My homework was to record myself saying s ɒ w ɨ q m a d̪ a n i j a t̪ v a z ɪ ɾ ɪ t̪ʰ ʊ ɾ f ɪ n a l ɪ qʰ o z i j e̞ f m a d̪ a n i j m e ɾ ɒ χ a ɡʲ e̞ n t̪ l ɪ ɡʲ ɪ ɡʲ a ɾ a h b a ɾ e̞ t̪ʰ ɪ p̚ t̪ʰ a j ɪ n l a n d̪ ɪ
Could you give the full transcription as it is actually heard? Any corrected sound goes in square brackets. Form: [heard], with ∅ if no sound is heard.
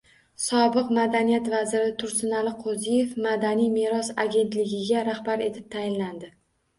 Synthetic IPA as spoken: s ɒ [b] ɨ q m a d̪ a n i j a t̪ v a z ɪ ɾ ɪ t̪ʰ ʊ ɾ [s] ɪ n a l ɪ qʰ o z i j e̞ f m a d̪ a n i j m e ɾ ɒ [s] a ɡʲ e̞ n t̪ l ɪ ɡʲ ɪ ɡʲ a ɾ a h b a ɾ e̞ t̪ʰ ɪ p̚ t̪ʰ a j ɪ n l a n d̪ ɪ

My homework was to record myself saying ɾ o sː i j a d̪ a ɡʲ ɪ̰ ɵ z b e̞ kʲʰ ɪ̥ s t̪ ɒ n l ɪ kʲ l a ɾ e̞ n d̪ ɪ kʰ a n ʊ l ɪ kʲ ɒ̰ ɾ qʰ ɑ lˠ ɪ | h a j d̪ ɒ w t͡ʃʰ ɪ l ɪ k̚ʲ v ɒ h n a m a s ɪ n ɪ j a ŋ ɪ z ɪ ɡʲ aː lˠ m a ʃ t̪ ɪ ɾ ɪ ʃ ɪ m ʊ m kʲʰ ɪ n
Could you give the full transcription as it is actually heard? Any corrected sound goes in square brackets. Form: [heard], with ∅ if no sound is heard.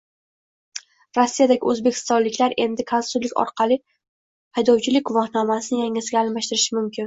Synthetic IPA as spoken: ɾ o sː i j a d̪ a ɡʲ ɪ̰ ɵ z b e̞ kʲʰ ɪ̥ s t̪ ɒ n l ɪ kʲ l a ɾ e̞ n d̪ ɪ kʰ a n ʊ l ɪ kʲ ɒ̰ ɾ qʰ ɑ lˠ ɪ | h a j d̪ ɒ w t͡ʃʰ ɪ l ɪ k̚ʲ v ɒ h n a m a s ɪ n ɪ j a ŋ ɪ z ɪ ɡʲ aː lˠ m a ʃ t̪ ɪ ɾ ɪ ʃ ɪ m ʊ m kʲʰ ɪ n

